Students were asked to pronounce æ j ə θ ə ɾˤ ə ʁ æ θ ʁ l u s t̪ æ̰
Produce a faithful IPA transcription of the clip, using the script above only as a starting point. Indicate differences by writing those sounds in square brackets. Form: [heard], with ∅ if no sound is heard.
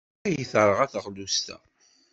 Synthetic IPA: æ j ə θ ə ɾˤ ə ʁ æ θ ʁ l u s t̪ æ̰